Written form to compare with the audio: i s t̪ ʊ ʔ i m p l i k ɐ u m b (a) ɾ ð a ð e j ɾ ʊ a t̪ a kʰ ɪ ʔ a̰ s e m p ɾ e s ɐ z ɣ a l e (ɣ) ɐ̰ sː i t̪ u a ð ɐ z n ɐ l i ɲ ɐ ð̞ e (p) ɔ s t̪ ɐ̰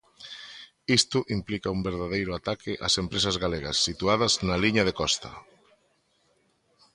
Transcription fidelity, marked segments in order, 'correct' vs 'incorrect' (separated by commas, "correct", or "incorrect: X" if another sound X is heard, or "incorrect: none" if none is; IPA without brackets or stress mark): incorrect: e, correct, incorrect: k